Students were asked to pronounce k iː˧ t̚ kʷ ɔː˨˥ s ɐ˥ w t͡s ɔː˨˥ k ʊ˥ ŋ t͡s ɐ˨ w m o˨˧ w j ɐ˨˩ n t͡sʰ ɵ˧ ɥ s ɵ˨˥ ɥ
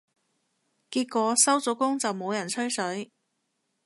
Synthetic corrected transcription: k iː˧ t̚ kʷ ɔː˨˥ s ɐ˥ w t͡s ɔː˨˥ k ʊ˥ ŋ t͡s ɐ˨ w m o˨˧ w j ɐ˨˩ n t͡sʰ ɵ˥ ɥ s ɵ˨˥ ɥ